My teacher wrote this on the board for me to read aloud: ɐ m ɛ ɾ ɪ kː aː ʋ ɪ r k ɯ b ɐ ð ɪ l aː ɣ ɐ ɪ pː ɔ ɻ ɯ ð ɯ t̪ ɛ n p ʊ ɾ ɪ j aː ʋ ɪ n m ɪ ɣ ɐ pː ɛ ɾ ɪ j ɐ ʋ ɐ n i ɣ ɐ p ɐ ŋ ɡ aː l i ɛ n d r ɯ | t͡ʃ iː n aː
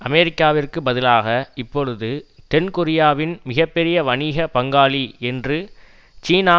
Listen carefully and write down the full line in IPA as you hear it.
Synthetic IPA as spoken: ɐ m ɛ ɾ ɪ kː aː ʋ ɪ r k ɯ b ɐ ð ɪ l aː ɣ ɐ ɪ pː ɔ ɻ ɯ ð ɯ t̪ ɛ n k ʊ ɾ ɪ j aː ʋ ɪ n m ɪ ɣ ɐ pː ɛ ɾ ɪ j ɐ ʋ ɐ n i ɣ ɐ p ɐ ŋ ɡ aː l i ɛ n d r ɯ | t͡ʃ iː n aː